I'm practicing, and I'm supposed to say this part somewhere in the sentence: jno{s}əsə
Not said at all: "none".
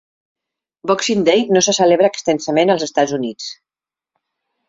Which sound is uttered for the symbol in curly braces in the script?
s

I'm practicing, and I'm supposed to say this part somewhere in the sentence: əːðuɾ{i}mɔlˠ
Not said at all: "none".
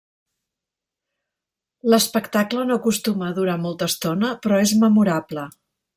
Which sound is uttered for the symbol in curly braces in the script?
a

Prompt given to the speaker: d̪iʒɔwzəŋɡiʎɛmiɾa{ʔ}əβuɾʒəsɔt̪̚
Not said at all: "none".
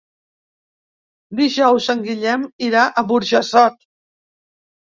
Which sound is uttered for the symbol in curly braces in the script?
ʔ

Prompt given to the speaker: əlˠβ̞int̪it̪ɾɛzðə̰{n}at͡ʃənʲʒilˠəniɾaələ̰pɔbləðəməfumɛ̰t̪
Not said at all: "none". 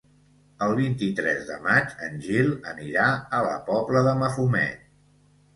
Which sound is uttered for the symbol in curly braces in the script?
m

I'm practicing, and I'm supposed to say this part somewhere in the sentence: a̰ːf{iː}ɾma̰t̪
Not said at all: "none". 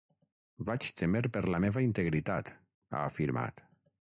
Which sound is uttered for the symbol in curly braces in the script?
i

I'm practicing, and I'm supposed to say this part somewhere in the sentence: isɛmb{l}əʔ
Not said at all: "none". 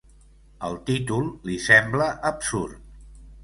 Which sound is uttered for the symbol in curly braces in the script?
l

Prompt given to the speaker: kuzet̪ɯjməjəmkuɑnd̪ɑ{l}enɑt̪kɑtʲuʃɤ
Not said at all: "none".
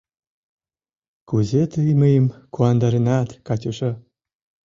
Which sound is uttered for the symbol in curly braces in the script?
ɾ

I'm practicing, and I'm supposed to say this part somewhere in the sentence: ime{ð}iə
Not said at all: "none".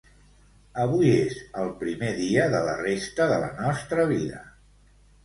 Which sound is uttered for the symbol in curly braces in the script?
ð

